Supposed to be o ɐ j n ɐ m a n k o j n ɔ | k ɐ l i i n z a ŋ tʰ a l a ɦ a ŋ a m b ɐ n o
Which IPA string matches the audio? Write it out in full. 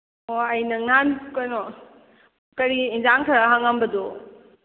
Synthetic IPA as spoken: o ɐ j n ɐ ŋ a n k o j n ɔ | k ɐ ɾ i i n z a ŋ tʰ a ɾ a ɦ a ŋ a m b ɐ d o